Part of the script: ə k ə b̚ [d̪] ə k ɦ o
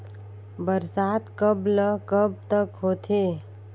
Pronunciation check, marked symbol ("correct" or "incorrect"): incorrect